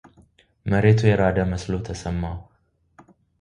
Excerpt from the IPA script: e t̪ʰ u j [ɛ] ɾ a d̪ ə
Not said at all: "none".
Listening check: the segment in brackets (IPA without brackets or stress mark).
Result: ɛ